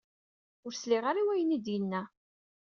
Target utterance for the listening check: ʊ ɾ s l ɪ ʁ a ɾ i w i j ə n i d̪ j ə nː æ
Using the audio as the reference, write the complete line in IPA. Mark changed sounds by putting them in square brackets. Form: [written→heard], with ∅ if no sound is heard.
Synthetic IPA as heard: ʊ ɾ s l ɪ ʁ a ɾ i w [i→æ] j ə n i d̪ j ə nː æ